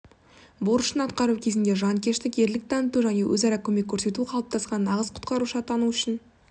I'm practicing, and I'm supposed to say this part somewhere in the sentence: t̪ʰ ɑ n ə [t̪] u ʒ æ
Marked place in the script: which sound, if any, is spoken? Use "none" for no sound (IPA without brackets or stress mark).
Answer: t̪